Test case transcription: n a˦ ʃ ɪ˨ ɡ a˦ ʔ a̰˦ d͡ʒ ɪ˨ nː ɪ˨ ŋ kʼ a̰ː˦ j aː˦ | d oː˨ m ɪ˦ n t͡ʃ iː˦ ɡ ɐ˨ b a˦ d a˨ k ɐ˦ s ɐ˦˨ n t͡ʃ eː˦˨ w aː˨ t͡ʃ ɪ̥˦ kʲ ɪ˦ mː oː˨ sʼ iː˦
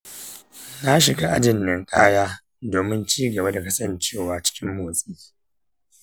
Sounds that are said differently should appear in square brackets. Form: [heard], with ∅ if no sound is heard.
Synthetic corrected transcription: n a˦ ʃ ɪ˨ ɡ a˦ ʔ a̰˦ d͡ʒ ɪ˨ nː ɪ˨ ŋ kʼ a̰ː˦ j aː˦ | d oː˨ m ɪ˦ n t͡ʃ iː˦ ɡ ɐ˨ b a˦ d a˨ k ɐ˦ s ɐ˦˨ n t͡ʃ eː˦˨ w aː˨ t͡ʃ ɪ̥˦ kʲ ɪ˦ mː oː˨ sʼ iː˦